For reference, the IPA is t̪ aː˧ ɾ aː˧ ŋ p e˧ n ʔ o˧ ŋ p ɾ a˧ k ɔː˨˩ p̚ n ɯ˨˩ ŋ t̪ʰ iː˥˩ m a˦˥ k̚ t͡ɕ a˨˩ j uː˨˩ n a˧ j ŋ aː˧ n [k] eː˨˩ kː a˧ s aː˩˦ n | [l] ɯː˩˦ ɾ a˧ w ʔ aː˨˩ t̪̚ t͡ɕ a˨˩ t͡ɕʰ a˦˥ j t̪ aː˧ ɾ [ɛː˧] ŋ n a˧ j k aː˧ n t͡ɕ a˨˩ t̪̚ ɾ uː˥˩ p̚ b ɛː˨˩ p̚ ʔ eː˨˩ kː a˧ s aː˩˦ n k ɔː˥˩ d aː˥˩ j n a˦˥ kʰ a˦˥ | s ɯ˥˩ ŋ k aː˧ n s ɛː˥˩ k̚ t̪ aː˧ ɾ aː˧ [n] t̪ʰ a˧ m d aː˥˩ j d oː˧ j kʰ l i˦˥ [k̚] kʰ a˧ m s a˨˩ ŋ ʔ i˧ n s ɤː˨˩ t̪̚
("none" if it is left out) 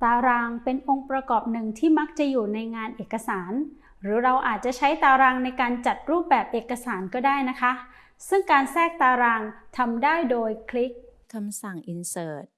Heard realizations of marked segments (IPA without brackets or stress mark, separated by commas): ʔ, ɾ, aː˧, ŋ, k̚